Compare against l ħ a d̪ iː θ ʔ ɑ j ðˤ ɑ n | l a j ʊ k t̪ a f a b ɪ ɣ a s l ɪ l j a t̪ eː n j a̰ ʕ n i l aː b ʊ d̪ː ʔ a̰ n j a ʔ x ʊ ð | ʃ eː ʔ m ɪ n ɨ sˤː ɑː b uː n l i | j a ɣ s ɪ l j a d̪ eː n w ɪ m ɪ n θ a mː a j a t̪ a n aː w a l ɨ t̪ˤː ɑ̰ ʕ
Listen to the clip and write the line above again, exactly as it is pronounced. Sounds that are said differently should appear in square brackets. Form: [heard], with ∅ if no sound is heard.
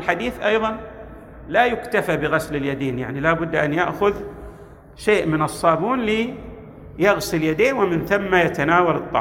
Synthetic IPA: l ħ a d̪ iː θ ʔ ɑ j ðˤ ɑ n | l a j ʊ k t̪ a f a b ɪ ɣ a s l ɪ l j a [d̪] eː n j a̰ ʕ n i l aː b ʊ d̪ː ʔ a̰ n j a ʔ x ʊ ð | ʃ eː ʔ m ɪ n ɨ sˤː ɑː b uː n l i | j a ɣ s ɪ l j a d̪ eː n w ɪ m ɪ n θ a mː a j a t̪ a n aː w a l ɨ t̪ˤː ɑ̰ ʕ